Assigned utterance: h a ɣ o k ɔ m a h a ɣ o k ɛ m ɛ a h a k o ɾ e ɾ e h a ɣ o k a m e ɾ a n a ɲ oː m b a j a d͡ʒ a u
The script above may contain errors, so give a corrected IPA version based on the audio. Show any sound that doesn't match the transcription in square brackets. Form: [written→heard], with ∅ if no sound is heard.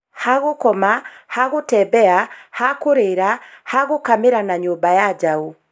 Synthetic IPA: h a ɣ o k ɔ m a h a ɣ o [k→t] ɛ [m→b] ɛ a h a k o ɾ e ɾ [e→a] h a ɣ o k a m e ɾ a n a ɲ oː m b a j a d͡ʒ a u